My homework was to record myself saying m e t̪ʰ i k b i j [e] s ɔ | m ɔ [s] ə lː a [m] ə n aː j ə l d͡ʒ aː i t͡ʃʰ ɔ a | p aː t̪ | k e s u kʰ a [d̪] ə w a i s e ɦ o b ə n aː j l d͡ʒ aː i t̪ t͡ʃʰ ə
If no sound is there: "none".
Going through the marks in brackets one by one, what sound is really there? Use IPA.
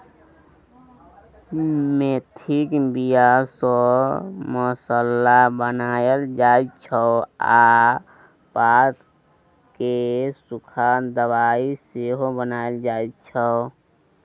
a, s, b, d̪

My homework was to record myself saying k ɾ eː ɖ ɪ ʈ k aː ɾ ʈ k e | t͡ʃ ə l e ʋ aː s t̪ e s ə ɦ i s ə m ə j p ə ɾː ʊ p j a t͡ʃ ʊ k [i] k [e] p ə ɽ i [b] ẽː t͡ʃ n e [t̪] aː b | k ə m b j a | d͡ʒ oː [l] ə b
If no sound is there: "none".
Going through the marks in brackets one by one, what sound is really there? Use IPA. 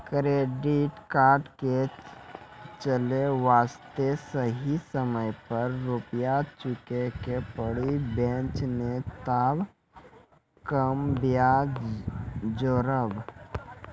e, e, b, t̪, ɾ

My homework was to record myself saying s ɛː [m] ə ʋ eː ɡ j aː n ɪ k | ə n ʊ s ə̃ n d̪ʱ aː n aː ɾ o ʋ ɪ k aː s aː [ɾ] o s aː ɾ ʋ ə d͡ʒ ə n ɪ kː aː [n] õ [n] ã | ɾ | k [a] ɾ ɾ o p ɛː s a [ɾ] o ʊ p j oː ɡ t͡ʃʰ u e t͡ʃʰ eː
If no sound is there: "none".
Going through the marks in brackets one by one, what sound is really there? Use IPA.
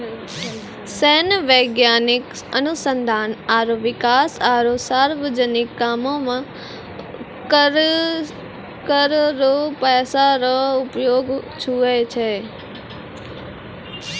n, ɾ, m, m, ə, ɾ

